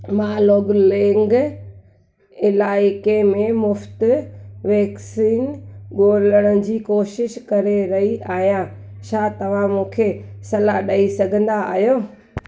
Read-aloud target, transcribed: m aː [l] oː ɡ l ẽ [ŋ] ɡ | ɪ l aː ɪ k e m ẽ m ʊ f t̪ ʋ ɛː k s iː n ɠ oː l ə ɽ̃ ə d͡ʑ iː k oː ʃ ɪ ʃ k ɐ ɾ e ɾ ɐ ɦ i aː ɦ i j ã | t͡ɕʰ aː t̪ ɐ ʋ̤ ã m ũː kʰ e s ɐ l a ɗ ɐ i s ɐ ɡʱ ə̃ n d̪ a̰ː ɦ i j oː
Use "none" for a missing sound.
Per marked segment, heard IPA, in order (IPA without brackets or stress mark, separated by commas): l, ŋ